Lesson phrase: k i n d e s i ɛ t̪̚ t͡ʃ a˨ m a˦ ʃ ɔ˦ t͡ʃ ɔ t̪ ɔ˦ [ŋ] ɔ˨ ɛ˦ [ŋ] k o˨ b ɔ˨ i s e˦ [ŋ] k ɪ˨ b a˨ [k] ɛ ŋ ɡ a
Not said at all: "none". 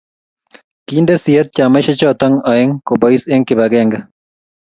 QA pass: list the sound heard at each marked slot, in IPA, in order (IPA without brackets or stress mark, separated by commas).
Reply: ŋ, ŋ, ŋ, ɡ